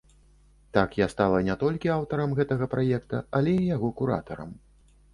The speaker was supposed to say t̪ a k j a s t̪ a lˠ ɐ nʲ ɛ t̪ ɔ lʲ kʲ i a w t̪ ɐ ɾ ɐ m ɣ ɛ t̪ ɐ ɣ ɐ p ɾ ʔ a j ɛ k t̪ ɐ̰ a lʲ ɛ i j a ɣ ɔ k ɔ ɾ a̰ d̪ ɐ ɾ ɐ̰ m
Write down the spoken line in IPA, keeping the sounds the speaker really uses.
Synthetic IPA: t̪ a k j a s t̪ a lˠ ɐ nʲ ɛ t̪ ɔ lʲ kʲ i a w t̪ ɐ ɾ ɐ m ɣ ɛ t̪ ɐ ɣ ɐ p ɾ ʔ a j ɛ k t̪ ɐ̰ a lʲ ɛ i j a ɣ ɔ k u ɾ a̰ t̪ ɐ ɾ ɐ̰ m